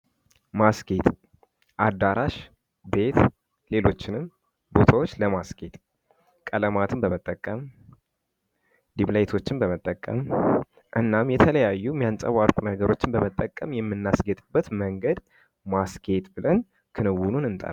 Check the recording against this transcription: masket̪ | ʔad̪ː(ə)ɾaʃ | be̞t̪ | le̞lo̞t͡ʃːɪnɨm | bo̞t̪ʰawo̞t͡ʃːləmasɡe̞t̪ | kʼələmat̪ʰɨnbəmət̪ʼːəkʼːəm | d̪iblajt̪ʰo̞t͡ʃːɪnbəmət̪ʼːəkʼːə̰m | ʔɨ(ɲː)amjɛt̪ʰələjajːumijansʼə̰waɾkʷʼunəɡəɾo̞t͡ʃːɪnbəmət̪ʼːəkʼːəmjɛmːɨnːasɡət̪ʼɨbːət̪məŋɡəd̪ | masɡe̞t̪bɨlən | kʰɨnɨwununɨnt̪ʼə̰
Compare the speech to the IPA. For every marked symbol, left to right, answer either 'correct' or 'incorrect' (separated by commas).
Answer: incorrect, incorrect